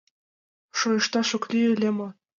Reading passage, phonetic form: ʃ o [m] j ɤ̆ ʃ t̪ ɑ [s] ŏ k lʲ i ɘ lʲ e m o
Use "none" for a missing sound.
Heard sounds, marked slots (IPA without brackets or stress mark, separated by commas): none, ʃ